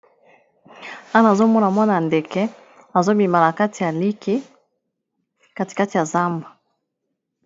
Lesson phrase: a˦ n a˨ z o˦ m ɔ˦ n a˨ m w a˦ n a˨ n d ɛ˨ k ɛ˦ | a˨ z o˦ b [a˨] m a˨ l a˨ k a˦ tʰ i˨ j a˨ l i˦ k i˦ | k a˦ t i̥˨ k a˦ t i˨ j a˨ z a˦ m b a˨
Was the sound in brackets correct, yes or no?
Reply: no